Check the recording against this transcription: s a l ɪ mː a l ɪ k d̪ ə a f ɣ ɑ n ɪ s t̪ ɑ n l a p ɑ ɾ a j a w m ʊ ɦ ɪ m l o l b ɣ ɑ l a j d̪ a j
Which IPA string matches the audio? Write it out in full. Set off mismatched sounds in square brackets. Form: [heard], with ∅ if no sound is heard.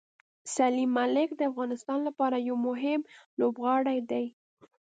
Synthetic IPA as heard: s a l [i] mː a l ɪ k d̪ ə a f ɣ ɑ n ɪ s t̪ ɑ n l a p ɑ ɾ a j a w m ʊ ɦ ɪ m l o [∅] b ɣ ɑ [ɽ] a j d̪ a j